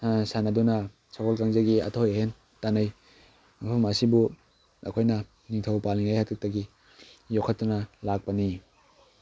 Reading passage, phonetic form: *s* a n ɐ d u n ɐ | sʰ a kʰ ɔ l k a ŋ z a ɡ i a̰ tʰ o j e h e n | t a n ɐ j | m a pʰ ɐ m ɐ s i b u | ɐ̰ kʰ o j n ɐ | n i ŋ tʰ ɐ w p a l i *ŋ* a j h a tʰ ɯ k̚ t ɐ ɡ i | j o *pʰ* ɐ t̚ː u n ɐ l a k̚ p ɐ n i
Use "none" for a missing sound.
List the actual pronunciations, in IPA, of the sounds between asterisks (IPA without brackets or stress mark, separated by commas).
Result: s, ŋ, kʰ